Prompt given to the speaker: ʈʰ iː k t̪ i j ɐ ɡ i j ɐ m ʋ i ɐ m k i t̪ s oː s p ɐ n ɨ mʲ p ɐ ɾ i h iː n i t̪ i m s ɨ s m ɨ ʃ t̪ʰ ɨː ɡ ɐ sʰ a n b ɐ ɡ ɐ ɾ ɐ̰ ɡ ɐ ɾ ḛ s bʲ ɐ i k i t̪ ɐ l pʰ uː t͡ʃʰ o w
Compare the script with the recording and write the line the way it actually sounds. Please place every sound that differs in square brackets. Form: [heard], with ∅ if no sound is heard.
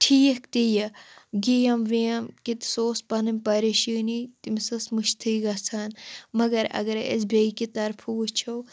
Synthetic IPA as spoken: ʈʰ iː k t̪ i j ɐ ɡ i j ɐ m ʋ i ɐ m k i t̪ s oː s p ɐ n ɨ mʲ p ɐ ɾ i [ʃ] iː n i t̪ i m s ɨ s m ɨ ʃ t̪ʰ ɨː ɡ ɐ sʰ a n [m] ɐ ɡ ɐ ɾ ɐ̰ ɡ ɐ ɾ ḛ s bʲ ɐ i k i t̪ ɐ [ɾ] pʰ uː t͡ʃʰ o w